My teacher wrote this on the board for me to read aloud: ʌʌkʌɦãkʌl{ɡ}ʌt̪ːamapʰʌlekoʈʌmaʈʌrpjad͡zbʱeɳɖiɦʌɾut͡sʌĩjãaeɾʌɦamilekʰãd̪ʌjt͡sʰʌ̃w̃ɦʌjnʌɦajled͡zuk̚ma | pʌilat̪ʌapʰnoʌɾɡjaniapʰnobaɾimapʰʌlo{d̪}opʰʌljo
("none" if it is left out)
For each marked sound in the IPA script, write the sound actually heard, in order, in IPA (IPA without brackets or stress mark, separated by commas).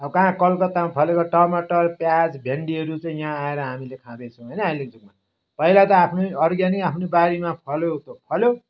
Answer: k, t̪